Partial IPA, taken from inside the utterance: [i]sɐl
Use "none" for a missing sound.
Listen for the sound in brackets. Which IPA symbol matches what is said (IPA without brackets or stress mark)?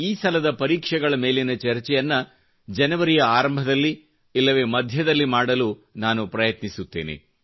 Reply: iː